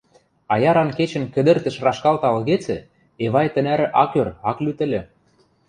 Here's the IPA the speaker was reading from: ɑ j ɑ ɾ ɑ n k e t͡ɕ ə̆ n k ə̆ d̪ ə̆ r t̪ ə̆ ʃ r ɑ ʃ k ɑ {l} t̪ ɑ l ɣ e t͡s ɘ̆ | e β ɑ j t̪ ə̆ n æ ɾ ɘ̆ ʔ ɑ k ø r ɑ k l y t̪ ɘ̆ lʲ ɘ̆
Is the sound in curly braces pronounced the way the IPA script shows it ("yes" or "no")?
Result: yes